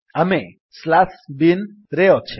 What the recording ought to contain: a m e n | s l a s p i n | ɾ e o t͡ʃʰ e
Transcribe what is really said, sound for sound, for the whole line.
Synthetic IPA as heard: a m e | s l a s b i n | ɾ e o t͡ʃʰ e